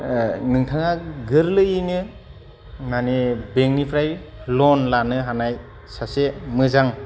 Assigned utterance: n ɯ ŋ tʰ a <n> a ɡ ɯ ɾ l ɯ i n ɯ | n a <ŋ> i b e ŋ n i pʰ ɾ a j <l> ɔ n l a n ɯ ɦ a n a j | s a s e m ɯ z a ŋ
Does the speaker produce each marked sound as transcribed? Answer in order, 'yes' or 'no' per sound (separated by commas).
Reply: no, no, yes